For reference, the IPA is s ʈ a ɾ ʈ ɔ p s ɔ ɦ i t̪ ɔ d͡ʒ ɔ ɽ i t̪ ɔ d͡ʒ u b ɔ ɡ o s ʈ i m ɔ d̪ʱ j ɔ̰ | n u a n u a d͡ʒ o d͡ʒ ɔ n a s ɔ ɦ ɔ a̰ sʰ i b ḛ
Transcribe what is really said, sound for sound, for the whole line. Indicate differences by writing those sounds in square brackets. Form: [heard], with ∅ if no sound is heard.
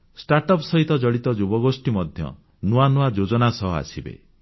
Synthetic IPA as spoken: s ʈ a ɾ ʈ ɔ p s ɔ ɦ i t̪ ɔ d͡ʒ ɔ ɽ i t̪ ɔ d͡ʒ u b ɔ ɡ o s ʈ i m ɔ d̪ʱ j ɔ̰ | n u a n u a d͡ʒ o d͡ʒ ɔ n a s ɔ ɦ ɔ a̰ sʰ i b ḛ

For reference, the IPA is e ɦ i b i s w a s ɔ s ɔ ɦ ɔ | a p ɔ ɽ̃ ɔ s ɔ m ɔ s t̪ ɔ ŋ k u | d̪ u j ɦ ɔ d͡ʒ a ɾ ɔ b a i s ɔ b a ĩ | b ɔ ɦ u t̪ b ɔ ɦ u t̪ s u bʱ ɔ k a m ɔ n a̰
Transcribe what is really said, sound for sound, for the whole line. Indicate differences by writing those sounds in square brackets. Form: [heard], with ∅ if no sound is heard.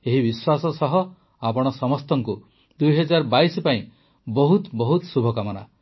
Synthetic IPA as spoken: e ɦ i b i s w a s ɔ s ɔ ɦ ɔ | a p ɔ ɽ̃ ɔ s ɔ m ɔ s t̪ ɔ ŋ k u | d̪ u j ɦ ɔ d͡ʒ a ɾ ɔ b a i s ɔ [p] a ĩ | b ɔ ɦ u t̪ b ɔ ɦ u t̪ s u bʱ ɔ k a m ɔ n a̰

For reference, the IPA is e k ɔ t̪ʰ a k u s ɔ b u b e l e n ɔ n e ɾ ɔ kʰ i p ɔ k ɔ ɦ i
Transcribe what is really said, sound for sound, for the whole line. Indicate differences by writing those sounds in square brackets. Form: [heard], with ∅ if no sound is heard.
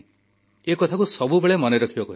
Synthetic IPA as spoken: e k ɔ t̪ʰ a k u s ɔ b u b e [ɭ] e [m] ɔ n e ɾ ɔ kʰ i [b] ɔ k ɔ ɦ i

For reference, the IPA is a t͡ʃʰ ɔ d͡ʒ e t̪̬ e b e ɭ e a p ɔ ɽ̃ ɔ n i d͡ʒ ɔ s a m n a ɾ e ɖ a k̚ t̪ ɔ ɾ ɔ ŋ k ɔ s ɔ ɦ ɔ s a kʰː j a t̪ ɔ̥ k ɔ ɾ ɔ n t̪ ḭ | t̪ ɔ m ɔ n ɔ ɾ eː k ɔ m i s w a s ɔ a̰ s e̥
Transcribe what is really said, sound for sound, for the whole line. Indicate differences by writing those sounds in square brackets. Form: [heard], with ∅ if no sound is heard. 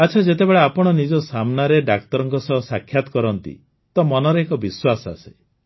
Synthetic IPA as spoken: a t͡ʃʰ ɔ d͡ʒ e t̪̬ e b e ɭ e a p ɔ ɽ̃ ɔ n i d͡ʒ ɔ s a m n a ɾ e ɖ a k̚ t̪ ɔ ɾ ɔ ŋ k ɔ s ɔ ɦ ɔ s a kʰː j a t̪ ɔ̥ k ɔ ɾ ɔ n t̪ ḭ | t̪ ɔ m ɔ n ɔ ɾ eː k ɔ [b] i s w a s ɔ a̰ s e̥

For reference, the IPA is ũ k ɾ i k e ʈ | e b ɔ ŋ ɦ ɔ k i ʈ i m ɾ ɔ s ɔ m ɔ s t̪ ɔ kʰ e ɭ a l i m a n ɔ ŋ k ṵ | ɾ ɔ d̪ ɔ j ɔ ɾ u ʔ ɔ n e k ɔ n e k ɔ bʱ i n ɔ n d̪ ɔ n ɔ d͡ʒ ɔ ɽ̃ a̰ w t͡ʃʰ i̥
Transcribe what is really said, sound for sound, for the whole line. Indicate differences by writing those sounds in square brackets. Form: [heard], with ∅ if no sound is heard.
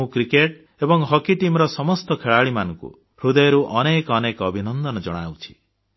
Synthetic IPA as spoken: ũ k ɾ i k e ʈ | e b ɔ ŋ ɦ ɔ k i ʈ i m ɾ ɔ s ɔ m ɔ s t̪ ɔ kʰ e ɭ a [ɭ] i m a n ɔ ŋ k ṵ | ɾ [u] d̪ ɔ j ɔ ɾ u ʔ ɔ n e k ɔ n e k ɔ bʱ i n ɔ n d̪ ɔ n ɔ d͡ʒ ɔ ɽ̃ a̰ w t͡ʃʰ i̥

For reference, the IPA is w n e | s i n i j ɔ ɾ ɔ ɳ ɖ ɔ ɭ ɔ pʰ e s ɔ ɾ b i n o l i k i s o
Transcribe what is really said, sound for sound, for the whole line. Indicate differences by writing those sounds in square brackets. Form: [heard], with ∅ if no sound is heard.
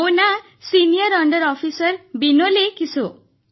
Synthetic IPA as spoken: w n [a] | s i n i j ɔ ɾ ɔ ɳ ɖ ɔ [ɾ] ɔ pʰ [i] s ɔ ɾ b i n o l [e] k i s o

